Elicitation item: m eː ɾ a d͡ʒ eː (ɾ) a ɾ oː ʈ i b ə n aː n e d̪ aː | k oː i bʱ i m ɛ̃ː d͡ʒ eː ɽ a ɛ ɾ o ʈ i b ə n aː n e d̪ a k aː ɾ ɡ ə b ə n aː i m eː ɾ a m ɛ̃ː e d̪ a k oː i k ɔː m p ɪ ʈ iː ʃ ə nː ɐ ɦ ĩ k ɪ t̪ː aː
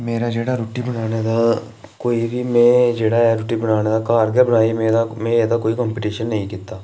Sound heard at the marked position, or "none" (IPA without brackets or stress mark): ɽ